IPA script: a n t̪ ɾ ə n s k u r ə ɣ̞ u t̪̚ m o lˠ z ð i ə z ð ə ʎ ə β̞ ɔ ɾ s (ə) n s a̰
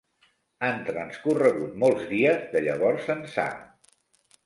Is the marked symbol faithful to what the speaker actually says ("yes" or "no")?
yes